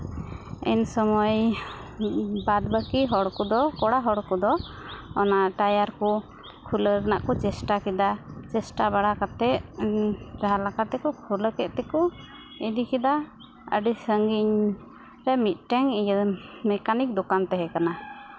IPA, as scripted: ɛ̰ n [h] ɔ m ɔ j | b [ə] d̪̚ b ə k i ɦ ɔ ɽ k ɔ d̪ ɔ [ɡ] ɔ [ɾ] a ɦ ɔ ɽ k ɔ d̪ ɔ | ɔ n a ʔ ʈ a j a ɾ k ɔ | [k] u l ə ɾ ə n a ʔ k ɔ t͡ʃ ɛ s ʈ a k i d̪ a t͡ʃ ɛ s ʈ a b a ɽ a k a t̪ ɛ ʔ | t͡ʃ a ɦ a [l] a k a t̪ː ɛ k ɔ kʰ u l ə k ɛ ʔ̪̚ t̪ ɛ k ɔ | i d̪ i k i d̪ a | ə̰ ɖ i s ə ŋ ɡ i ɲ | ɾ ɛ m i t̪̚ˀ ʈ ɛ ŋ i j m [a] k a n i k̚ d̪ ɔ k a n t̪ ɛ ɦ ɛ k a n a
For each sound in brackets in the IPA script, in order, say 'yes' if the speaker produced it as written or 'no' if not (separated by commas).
no, no, no, no, no, yes, no